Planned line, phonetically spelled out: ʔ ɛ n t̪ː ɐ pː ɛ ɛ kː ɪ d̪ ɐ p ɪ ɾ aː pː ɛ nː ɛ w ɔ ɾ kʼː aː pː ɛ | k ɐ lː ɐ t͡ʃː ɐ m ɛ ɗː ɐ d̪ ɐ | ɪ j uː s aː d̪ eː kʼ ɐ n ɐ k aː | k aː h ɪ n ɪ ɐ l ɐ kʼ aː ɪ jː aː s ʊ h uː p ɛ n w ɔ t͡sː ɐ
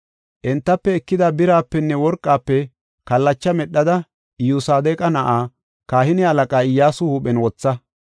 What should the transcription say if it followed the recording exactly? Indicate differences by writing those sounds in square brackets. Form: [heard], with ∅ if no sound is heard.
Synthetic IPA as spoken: ʔ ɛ n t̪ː ɐ pː ɛ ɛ kː ɪ d̪ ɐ [b] ɪ ɾ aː pː ɛ nː ɛ w ɔ ɾ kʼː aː pː ɛ | k ɐ lː ɐ t͡ʃː ɐ m ɛ ɗː ɐ d̪ ɐ | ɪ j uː s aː d̪ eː kʼ ɐ n ɐ [ʔ] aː | k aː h ɪ n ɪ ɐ l ɐ kʼ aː ɪ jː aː s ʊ h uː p ɛ n w ɔ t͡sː ɐ